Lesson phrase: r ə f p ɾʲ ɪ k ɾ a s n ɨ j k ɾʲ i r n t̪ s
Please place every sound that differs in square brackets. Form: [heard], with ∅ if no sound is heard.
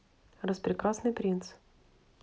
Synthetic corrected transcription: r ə [s] p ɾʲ ɪ k ɾ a s n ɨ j [p] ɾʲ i [∅] n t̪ s